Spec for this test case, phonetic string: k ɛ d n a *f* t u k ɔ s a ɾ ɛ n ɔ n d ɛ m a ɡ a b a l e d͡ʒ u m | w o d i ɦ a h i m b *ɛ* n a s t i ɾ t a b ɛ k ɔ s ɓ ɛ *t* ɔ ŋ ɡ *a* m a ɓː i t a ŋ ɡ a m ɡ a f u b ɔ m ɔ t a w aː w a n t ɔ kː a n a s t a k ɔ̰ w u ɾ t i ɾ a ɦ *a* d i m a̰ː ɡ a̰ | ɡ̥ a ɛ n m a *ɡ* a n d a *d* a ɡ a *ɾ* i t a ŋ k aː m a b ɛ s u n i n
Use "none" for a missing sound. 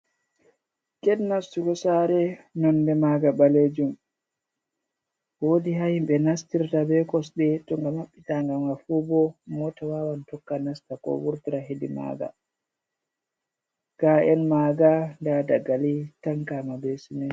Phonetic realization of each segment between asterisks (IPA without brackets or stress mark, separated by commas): s, ɛ, t, a, e, ɡ, d, l